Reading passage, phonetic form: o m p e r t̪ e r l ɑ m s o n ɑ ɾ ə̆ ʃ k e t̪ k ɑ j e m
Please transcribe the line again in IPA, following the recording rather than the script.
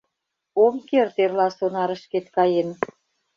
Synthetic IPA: o m k e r t̪ e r l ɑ s o n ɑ ɾ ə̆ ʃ k e t̪ k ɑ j e n